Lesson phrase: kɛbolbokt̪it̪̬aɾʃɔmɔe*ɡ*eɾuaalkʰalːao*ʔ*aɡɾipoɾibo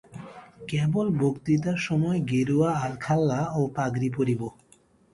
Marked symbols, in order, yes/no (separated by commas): yes, no